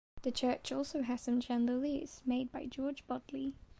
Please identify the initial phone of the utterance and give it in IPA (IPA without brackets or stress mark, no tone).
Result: ð